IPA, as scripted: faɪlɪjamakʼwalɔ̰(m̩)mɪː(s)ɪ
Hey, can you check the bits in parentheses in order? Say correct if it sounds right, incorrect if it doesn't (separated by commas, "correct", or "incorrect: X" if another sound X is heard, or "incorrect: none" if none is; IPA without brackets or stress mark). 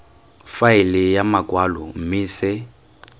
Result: correct, correct